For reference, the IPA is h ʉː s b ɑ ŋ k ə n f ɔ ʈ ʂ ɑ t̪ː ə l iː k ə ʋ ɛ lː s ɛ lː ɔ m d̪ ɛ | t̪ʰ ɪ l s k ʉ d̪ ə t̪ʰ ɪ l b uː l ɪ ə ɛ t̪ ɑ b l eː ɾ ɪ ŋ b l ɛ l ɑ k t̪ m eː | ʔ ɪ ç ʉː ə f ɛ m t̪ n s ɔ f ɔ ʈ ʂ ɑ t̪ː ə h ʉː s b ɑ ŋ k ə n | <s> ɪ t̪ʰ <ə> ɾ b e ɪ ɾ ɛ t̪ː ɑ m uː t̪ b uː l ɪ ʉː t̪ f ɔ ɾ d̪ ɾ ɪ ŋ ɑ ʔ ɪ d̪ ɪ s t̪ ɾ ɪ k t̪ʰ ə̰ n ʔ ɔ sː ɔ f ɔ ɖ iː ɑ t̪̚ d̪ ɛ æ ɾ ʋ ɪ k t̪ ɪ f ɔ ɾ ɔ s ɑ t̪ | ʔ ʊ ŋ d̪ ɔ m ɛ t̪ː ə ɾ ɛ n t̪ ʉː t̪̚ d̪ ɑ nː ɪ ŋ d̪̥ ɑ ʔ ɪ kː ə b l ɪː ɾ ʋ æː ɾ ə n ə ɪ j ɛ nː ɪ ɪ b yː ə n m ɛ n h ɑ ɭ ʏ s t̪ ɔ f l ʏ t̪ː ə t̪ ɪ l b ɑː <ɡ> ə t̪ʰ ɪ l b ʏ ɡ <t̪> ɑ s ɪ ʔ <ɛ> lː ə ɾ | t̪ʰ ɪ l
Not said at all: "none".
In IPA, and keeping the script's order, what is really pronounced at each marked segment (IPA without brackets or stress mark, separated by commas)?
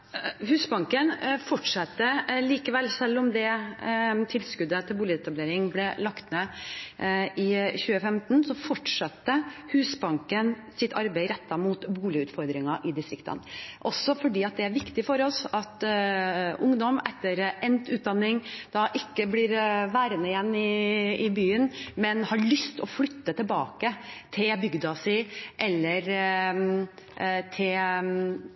s, ɑ, k, d̪, ɛ